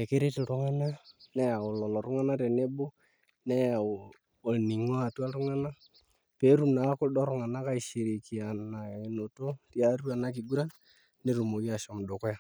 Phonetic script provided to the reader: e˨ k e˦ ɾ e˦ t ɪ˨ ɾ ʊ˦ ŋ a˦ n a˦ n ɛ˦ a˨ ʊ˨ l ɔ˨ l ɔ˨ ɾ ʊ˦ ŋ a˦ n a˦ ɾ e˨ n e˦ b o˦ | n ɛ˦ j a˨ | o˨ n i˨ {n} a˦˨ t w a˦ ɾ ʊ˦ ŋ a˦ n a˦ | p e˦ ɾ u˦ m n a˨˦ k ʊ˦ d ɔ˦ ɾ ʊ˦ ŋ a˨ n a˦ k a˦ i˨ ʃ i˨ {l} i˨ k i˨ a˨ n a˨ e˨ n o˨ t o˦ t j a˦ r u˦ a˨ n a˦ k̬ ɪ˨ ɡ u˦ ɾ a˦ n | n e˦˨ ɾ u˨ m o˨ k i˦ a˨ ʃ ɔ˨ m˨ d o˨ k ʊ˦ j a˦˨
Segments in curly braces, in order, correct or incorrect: incorrect: ŋ, incorrect: ɾ

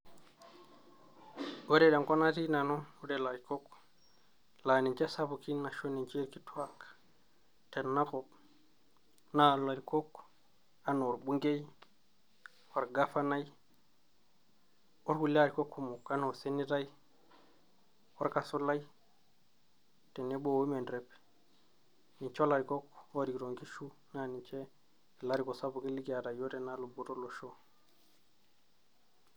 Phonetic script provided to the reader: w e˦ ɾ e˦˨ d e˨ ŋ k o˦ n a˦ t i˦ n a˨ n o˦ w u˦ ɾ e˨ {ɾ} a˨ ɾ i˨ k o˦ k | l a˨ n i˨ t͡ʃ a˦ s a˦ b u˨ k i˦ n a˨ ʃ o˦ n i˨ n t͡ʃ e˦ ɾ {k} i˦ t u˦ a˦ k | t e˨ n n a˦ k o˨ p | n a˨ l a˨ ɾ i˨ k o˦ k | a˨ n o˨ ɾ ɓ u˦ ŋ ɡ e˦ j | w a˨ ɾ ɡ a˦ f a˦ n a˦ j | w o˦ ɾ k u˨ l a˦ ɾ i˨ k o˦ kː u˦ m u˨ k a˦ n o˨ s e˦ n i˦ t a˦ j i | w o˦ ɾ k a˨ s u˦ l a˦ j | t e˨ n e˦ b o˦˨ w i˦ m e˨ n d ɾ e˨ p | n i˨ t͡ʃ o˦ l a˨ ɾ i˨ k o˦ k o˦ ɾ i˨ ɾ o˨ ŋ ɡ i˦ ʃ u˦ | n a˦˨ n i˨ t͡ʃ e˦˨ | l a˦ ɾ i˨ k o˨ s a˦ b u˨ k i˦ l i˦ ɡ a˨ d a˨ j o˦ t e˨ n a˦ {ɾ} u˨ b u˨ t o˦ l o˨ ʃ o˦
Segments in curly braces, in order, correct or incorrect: incorrect: l, correct, incorrect: l

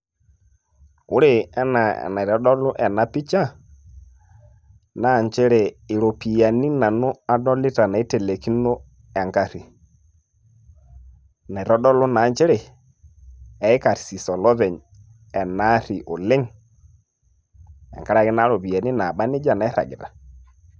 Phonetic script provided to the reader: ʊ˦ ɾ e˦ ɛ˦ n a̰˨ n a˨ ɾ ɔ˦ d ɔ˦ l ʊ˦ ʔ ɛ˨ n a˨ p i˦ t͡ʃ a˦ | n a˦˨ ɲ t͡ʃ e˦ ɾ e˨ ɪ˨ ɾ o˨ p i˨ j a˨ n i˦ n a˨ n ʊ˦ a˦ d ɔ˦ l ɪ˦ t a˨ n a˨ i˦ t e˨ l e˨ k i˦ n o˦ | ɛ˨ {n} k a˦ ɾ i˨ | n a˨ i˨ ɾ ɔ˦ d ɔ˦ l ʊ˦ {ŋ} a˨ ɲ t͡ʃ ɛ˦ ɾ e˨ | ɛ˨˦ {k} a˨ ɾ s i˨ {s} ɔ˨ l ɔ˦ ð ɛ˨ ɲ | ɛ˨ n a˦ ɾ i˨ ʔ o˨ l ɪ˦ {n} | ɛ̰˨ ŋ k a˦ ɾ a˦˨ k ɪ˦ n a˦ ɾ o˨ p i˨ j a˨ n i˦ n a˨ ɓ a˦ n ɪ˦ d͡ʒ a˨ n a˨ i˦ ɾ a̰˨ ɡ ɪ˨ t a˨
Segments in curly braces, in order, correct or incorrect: incorrect: ŋ, incorrect: n, correct, correct, incorrect: ŋ

